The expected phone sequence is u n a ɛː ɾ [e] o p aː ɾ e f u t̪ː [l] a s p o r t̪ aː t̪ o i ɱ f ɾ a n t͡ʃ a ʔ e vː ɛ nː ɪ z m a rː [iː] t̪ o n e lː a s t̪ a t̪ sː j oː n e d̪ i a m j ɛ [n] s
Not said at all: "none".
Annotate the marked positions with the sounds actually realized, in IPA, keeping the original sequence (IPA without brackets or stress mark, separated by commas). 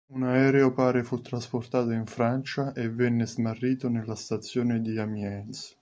e, ɾ, iː, n